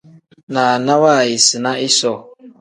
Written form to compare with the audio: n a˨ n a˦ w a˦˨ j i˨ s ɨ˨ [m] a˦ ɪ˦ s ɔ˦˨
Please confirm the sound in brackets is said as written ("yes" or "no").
no